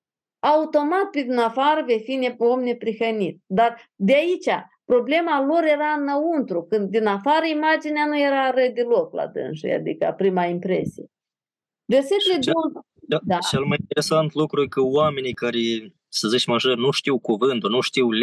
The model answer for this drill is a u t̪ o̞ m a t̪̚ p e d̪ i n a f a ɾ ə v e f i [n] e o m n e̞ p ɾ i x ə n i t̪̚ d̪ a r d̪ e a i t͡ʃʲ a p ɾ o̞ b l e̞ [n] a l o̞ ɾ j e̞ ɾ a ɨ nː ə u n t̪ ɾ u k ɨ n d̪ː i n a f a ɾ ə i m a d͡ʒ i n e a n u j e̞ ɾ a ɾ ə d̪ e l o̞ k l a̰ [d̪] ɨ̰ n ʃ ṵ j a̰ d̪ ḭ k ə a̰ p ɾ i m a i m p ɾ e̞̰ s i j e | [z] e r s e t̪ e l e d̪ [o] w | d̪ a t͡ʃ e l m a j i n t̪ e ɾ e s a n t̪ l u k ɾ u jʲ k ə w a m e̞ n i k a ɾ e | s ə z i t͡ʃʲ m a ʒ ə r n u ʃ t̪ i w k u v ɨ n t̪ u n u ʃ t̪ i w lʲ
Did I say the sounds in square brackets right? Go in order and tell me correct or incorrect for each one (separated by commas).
correct, incorrect, correct, incorrect, correct